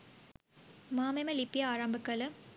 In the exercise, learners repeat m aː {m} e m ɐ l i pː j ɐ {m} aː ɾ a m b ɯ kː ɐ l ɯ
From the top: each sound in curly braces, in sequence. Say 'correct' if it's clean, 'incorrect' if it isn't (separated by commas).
correct, incorrect